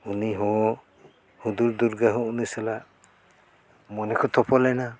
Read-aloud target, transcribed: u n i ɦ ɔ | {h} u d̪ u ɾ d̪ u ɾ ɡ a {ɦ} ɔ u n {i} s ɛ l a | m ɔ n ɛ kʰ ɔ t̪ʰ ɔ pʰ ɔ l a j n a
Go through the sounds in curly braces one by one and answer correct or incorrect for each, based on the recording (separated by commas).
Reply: correct, correct, correct